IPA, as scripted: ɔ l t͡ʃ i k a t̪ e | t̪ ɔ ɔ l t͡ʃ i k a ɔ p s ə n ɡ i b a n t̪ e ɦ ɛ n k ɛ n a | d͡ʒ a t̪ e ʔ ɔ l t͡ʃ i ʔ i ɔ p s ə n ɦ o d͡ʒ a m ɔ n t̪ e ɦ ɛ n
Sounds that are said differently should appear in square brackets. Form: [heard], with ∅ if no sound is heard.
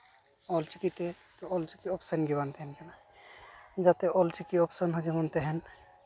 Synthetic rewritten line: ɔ l t͡ʃ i k [i] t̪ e | t̪ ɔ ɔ l t͡ʃ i k [i] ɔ p s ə n ɡ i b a n t̪ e ɦ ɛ n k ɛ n a | d͡ʒ a t̪ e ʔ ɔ l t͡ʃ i [k] i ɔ p s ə n ɦ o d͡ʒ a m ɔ n t̪ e ɦ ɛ n